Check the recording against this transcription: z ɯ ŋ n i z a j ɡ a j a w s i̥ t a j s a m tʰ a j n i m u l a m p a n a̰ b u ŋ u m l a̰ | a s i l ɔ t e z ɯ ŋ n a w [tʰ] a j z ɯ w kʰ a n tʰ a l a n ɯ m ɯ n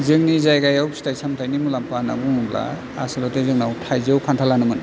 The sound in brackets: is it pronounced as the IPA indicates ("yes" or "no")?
yes